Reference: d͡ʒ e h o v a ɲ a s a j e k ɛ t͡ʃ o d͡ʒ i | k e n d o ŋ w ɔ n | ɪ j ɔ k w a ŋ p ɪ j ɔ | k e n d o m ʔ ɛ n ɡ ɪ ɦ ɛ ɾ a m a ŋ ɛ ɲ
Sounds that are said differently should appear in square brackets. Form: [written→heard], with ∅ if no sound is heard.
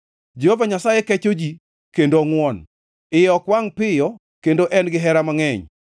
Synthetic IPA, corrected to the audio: d͡ʒ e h o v a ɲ a s a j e k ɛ t͡ʃ o d͡ʒ i | k e n d o ŋ w ɔ n | ɪ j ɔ k w a ŋ p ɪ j ɔ | k e n d o [m→∅] ʔ ɛ n ɡ ɪ ɦ ɛ ɾ a m a ŋ ɛ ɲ